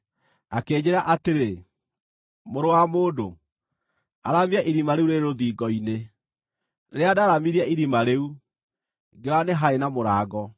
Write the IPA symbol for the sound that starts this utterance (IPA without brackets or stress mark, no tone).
a